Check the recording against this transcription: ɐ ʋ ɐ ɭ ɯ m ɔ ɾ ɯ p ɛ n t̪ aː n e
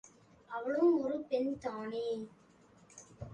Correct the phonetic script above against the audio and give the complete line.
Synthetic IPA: ɐ ʋ ɐ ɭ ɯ m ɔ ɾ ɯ p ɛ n t̪ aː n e